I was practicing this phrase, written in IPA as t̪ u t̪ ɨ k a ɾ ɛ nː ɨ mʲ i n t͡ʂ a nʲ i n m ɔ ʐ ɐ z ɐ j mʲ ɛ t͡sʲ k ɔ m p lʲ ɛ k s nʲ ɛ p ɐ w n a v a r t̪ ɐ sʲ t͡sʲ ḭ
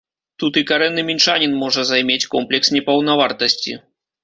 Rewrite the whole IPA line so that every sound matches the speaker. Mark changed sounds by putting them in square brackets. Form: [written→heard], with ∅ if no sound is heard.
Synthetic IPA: t̪ u t̪ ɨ k a ɾ ɛ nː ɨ mʲ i n t͡ʂ a nʲ i n m ɔ ʐ ɐ z [ɐ→a] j mʲ [ɛ→e] t͡sʲ k ɔ m p lʲ ɛ k s nʲ ɛ p ɐ w n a v a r t̪ ɐ sʲ t͡sʲ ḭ